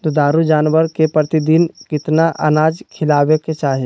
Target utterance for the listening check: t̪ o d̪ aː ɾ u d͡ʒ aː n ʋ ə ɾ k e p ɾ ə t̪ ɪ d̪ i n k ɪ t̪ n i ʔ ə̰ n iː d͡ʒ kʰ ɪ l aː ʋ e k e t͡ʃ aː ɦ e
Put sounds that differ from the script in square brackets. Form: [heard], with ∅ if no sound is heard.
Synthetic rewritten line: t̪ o d̪ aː ɾ u d͡ʒ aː n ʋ ə ɾ k e p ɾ ə t̪ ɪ d̪ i n k ɪ t̪ n [a] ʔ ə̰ n [aː] d͡ʒ kʰ ɪ l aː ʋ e k e t͡ʃ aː ɦ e